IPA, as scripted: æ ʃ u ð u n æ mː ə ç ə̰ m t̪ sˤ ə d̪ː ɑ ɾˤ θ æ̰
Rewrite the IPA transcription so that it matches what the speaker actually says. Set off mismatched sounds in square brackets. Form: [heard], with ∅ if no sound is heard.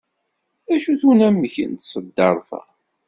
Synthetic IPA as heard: æ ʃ u [θ] u n æ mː ə ç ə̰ [n] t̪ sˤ ə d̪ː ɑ ɾˤ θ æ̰